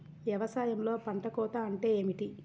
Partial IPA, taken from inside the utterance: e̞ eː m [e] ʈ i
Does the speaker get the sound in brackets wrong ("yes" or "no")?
yes